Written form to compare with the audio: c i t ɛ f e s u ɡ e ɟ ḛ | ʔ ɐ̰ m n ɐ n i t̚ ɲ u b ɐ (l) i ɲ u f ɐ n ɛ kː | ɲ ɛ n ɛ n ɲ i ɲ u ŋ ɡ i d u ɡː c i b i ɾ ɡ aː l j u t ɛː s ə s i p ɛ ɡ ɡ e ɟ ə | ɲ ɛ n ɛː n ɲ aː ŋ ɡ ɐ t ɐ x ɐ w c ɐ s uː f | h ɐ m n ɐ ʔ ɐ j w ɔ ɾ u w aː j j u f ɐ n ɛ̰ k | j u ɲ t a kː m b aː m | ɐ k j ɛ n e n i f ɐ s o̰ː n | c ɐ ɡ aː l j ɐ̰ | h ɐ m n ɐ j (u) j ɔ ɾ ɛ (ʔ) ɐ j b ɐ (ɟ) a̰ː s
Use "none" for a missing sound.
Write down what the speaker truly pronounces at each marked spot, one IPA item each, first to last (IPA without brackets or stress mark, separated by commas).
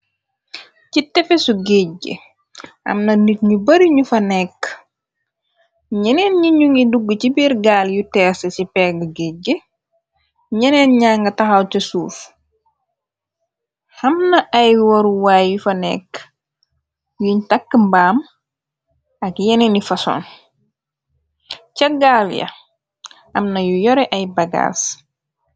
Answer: ɾ, u, ʔ, ɡ